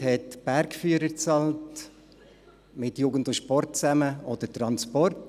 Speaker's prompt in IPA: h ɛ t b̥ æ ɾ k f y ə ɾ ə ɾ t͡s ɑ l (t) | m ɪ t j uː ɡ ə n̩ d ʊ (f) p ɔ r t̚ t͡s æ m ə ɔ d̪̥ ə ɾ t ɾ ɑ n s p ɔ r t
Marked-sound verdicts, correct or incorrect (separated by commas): correct, incorrect